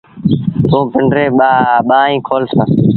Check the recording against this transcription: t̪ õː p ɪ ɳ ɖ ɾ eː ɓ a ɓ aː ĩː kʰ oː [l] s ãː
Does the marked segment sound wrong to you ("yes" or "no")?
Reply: no